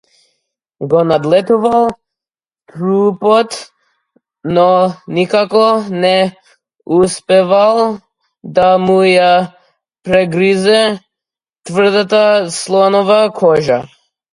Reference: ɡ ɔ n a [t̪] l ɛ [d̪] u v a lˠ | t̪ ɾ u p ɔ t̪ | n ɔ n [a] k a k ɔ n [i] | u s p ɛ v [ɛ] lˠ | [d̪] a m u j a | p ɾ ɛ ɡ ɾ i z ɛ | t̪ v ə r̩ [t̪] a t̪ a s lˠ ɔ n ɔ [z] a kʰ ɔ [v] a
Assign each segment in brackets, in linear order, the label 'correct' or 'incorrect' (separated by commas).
incorrect, incorrect, incorrect, incorrect, incorrect, correct, incorrect, incorrect, incorrect